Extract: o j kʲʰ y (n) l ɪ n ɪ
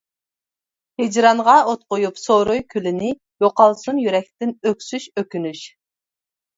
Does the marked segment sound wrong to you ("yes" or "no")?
yes